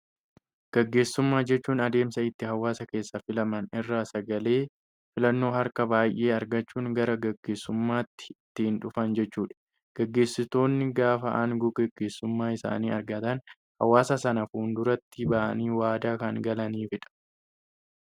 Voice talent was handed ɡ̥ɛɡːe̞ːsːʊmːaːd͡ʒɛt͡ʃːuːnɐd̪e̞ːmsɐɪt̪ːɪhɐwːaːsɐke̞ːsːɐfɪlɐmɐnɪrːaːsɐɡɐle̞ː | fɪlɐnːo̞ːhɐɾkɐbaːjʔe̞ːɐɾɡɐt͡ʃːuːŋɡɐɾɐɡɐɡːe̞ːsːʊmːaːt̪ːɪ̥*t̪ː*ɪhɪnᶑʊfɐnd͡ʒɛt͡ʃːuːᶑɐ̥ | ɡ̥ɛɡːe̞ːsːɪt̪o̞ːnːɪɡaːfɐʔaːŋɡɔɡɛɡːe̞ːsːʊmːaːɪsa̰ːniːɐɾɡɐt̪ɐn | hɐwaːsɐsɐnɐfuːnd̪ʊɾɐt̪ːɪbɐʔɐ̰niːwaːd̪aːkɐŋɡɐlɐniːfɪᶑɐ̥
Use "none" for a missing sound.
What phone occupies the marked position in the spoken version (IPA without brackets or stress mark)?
t̪ː